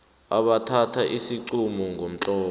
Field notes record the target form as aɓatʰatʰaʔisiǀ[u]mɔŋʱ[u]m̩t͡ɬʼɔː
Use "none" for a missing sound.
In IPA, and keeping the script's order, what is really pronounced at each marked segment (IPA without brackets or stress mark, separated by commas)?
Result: u, o